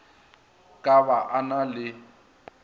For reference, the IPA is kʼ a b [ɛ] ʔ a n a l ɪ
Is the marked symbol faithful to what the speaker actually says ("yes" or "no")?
no